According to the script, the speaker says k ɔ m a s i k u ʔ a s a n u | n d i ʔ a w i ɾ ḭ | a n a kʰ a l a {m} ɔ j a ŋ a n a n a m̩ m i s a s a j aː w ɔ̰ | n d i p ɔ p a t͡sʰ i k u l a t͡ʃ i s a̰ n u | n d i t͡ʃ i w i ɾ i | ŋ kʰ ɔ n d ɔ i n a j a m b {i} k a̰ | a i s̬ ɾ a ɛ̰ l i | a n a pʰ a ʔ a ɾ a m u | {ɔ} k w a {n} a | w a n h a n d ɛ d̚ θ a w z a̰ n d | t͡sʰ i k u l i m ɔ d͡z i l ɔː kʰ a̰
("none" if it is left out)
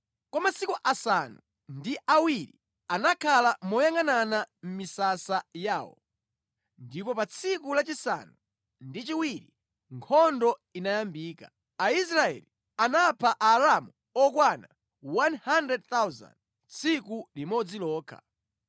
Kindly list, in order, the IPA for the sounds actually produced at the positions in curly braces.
m, iː, ɔ, n

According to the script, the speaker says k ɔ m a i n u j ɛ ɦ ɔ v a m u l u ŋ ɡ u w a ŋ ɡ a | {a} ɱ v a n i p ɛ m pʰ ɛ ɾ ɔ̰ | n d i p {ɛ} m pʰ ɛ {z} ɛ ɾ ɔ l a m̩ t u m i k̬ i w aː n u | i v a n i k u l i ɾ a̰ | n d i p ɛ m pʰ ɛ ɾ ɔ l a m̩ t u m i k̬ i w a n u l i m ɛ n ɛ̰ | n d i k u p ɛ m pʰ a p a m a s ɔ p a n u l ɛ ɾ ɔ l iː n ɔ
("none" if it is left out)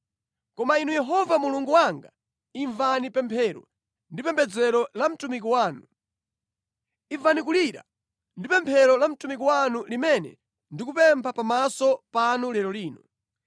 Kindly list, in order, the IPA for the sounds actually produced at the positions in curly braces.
i, ɛ, d͡z

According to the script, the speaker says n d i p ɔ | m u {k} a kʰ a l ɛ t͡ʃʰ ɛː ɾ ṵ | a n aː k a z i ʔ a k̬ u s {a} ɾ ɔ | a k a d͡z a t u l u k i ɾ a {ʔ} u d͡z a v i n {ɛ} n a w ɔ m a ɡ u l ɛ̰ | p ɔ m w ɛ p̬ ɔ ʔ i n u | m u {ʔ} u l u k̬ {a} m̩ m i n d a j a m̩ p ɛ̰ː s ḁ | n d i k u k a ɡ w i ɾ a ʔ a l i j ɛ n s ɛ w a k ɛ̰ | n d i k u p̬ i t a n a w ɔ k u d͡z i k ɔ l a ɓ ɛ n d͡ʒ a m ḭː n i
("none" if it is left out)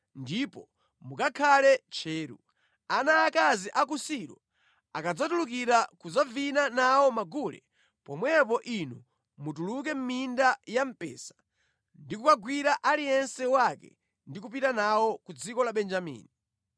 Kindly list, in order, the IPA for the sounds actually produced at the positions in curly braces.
k, i, k, a, t, ɛ

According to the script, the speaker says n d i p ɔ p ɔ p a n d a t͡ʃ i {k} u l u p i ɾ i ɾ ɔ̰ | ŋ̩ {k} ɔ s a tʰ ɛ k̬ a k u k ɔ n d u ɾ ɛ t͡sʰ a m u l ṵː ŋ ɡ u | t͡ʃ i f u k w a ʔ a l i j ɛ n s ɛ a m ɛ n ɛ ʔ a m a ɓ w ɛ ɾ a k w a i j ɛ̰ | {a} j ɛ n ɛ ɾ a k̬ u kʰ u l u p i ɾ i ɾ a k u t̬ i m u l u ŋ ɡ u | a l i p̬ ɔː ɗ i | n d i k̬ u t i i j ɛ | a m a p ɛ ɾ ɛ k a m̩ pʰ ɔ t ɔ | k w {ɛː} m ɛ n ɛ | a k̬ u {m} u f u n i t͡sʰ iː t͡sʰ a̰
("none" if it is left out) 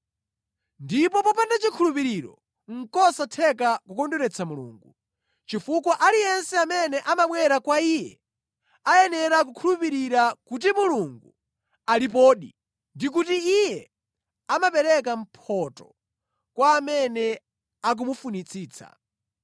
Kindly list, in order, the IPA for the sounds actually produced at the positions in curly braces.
kʰ, k, a, aː, m

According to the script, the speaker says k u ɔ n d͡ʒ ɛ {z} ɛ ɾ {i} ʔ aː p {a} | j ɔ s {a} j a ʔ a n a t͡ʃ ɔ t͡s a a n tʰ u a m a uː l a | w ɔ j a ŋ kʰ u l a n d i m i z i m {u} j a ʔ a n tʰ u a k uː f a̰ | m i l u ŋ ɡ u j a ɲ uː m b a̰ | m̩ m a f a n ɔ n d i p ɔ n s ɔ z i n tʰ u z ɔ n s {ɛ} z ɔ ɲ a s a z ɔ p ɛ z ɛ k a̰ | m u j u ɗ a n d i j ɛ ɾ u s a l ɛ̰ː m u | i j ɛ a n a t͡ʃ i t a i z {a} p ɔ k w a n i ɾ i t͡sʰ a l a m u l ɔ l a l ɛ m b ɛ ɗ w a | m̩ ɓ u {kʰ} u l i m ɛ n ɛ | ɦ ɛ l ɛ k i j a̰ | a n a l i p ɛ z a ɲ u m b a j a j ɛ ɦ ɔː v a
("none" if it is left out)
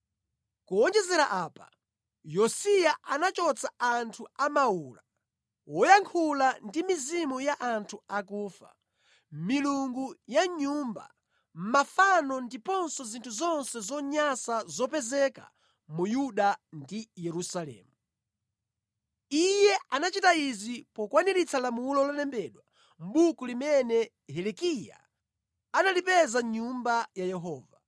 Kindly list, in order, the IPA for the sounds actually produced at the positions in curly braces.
z, a, a, i, u, ɛ, i, k

